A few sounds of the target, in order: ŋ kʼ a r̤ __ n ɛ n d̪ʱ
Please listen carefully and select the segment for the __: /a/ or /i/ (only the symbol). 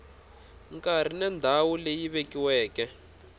i